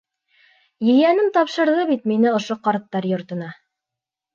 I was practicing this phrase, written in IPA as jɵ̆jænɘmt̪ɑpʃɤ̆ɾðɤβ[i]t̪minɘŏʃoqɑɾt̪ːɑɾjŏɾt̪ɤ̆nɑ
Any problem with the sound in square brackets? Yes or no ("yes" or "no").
no